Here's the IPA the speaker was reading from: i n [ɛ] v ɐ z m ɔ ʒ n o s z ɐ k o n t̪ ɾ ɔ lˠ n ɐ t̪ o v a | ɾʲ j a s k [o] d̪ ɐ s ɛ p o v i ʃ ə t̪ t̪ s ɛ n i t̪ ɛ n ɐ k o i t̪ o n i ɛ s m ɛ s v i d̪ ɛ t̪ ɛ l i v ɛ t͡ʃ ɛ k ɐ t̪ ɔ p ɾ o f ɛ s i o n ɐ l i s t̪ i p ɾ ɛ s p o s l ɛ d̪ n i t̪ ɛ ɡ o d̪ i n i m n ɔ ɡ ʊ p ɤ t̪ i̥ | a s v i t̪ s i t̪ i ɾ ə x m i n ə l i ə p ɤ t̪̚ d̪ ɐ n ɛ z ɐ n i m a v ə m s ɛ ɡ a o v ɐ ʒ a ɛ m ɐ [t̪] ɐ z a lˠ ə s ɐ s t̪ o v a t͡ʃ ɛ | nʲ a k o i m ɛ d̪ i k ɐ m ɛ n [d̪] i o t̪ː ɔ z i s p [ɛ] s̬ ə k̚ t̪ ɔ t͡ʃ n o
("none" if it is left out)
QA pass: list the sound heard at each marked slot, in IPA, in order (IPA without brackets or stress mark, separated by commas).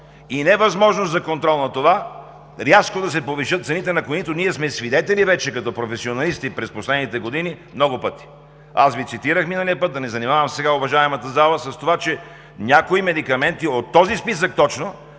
ɛ, o, t̪, t̪, i